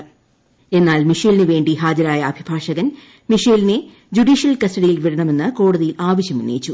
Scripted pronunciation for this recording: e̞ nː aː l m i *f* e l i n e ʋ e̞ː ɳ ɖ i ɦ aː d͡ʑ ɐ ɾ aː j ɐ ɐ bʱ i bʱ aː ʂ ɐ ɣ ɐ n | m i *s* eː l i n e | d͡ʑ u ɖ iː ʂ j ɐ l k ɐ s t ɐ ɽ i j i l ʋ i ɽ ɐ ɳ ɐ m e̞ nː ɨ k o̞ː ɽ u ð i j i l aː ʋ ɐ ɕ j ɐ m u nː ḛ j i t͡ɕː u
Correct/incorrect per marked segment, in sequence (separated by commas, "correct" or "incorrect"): incorrect, incorrect